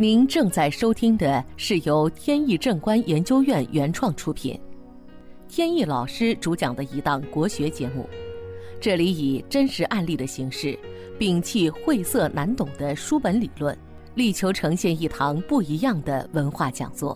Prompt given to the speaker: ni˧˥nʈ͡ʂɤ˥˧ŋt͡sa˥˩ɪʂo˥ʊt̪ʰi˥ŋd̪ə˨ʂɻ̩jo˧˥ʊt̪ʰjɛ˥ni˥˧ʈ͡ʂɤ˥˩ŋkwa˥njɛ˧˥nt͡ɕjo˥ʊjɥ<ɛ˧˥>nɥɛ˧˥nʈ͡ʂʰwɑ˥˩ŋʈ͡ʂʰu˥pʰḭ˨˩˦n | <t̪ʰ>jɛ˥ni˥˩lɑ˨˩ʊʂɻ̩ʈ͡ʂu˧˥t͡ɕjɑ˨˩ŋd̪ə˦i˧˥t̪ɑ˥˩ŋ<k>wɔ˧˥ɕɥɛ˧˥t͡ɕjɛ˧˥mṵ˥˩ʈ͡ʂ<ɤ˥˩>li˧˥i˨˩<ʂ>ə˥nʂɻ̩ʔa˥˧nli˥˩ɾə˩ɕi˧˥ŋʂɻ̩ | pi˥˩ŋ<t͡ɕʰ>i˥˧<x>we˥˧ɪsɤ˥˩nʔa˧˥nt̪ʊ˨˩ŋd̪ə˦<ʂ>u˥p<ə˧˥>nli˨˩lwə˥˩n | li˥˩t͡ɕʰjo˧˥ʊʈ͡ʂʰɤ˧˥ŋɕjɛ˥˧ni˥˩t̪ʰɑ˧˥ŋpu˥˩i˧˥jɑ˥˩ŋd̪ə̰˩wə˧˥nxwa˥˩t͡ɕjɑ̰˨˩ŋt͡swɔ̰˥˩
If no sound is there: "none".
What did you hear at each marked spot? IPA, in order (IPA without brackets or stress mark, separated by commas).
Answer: ɛ˥˩, t̪ʰ, k, ɤ˥˩, ʈ͡ʂ, t͡ɕʰ, x, ʂ, ə˧˥